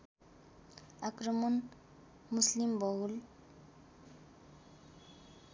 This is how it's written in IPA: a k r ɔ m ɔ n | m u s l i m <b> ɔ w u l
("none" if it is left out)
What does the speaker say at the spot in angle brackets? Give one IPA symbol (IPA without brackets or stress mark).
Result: b